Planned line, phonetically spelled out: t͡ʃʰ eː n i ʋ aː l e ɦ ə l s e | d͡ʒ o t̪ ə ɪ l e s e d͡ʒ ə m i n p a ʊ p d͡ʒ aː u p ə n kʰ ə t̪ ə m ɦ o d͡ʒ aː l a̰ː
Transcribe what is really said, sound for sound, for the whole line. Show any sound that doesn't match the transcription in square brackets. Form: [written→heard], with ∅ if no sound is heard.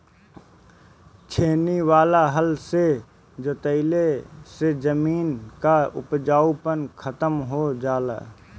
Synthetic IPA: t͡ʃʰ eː n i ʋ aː l [e→a] ɦ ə l s e | d͡ʒ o t̪ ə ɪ l e s e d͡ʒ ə m [i→iː] n [p→k] a ʊ p d͡ʒ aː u p ə n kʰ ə t̪ ə m ɦ o d͡ʒ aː l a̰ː

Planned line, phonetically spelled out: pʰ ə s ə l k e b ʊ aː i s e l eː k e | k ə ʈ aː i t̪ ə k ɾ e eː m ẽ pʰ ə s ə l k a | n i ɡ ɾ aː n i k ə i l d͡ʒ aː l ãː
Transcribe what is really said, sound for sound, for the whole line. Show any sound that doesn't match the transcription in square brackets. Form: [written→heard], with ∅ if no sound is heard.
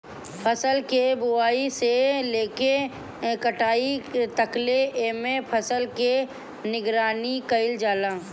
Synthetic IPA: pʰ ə s ə l k e b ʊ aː i s e l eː k e | k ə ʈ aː i t̪ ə k [ɾ→l] e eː m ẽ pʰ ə s ə l k [a→e] | n [i→ɪ] ɡ ɾ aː n i k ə [i→ɪ] l d͡ʒ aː l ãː

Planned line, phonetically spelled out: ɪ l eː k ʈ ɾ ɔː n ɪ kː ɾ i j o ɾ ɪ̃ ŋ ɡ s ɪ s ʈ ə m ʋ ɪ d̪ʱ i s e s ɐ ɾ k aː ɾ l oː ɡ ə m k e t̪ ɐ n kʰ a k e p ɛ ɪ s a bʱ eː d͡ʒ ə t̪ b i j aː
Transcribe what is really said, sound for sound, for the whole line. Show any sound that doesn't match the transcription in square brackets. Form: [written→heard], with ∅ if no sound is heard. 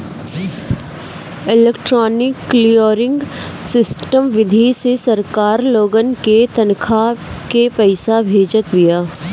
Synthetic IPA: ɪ l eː k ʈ ɾ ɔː n ɪ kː [ɾ→l] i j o ɾ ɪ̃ ŋ ɡ s ɪ s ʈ ə m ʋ ɪ d̪ʱ i s e s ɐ ɾ k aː ɾ l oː ɡ ə [m→n] k e t̪ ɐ n kʰ a k e p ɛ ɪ s a bʱ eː d͡ʒ ə t̪ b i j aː

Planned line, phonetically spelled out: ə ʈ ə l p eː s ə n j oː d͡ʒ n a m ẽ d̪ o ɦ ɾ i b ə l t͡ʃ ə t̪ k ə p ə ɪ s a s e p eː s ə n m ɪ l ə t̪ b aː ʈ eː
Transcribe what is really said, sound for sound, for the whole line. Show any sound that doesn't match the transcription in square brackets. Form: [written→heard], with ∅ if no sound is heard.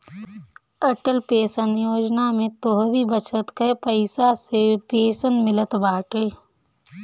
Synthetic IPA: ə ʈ ə l p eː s ə n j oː d͡ʒ n a m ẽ [d̪→t̪] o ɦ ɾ i b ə [l→∅] t͡ʃ ə t̪ k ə p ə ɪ s a s e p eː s ə n m ɪ l ə t̪ b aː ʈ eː

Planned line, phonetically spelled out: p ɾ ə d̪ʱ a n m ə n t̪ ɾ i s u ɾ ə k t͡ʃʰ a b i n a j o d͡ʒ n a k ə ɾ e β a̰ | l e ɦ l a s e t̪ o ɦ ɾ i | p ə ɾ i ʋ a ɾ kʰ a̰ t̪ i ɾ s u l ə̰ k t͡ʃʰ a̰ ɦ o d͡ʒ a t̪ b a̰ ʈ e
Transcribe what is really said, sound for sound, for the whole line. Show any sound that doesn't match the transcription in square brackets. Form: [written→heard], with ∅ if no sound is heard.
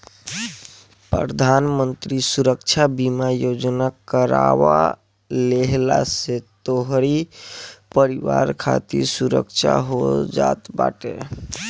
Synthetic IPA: p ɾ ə d̪ʱ a n m ə n t̪ ɾ i s u ɾ ə k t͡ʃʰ a b i [n→m] a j o d͡ʒ n a k ə ɾ [e→a] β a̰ | l e ɦ l a s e t̪ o ɦ ɾ i | p ə ɾ i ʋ a ɾ kʰ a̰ t̪ i ɾ s u [l→ɾ] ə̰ k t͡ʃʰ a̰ ɦ o d͡ʒ a t̪ b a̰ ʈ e

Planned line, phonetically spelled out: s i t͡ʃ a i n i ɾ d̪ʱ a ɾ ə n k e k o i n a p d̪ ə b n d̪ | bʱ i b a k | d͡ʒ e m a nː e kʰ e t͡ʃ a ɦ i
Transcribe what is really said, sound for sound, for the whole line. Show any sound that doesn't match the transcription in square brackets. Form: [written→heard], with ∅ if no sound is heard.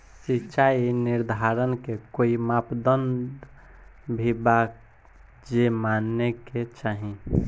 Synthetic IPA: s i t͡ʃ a i n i ɾ d̪ʱ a ɾ ə n k e k o i [n→m] a p d̪ ə [b→∅] n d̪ | bʱ i b a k | d͡ʒ e m a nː e [kʰ→k] e t͡ʃ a ɦ i

